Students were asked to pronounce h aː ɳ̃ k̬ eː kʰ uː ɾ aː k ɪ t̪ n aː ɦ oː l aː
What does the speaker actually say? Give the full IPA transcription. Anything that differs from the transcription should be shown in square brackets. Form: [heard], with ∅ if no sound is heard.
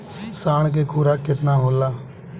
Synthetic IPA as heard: [s] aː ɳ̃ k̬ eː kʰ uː ɾ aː k ɪ t̪ n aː ɦ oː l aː